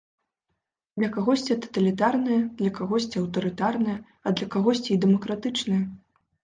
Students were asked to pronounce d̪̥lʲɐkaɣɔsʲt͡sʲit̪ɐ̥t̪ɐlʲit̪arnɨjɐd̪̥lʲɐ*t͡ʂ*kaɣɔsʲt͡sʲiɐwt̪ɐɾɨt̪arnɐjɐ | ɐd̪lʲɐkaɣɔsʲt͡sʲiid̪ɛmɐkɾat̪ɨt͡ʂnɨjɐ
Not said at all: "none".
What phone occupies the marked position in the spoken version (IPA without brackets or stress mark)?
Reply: none